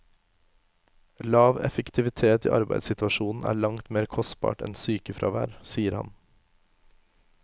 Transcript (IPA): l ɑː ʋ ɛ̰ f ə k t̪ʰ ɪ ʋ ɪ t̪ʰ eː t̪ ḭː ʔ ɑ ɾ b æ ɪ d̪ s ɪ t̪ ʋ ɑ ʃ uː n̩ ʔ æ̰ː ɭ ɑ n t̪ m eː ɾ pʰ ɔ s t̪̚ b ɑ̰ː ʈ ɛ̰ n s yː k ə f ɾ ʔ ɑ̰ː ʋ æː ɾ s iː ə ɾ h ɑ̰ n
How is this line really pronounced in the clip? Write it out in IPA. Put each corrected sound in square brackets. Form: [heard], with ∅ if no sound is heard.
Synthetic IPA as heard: l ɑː ʋ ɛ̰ f ə k t̪ʰ ɪ ʋ ɪ t̪ʰ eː t̪ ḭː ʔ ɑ ɾ b æ ɪ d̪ s ɪ t̪ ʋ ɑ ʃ uː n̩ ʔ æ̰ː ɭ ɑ [ŋ] t̪ m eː ɾ [kʰ] ɔ s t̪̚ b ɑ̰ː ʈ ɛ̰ n s yː k ə f ɾ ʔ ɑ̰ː ʋ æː ɾ s iː ə ɾ h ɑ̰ n